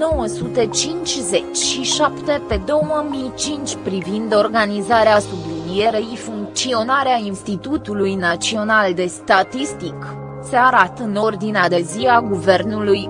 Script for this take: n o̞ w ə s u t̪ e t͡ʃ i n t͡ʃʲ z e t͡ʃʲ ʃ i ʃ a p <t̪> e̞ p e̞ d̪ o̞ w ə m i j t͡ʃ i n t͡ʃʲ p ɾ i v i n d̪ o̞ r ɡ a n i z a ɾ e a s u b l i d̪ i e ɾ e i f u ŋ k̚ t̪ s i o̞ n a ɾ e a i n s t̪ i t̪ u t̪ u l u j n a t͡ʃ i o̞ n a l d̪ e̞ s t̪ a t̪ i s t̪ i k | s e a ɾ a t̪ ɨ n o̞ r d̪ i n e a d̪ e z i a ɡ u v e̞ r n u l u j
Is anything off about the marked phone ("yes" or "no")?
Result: no